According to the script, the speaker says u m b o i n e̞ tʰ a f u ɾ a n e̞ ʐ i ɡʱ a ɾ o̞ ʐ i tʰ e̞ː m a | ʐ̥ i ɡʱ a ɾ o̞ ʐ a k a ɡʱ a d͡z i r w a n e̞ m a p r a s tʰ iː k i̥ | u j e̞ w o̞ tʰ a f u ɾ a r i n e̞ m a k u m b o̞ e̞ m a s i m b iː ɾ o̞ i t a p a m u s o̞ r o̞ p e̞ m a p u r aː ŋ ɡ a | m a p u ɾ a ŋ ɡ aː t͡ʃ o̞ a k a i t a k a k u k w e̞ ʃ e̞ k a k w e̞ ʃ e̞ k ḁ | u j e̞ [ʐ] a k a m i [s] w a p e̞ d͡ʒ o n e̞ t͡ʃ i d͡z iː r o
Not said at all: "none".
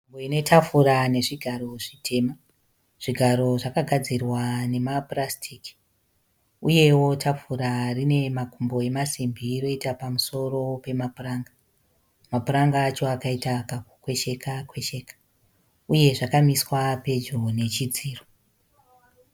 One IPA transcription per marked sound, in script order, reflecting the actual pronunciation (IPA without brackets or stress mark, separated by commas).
ʐ, s